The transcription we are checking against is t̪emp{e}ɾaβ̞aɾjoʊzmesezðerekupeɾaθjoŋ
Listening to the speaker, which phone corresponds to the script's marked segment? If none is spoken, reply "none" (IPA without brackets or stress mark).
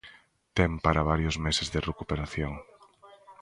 a